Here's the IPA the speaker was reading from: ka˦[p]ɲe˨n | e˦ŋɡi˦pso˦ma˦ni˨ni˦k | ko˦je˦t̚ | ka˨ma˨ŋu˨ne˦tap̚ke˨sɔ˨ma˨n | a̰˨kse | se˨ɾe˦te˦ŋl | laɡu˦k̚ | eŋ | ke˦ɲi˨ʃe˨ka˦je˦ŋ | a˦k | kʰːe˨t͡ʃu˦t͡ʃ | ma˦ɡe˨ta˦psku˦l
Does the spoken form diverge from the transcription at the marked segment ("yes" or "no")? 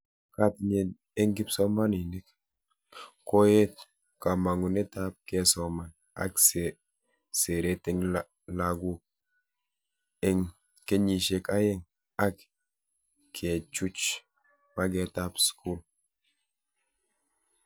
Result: yes